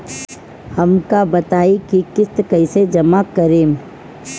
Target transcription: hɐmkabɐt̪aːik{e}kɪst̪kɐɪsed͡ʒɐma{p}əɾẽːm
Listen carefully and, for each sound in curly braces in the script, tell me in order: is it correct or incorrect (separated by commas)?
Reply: incorrect, incorrect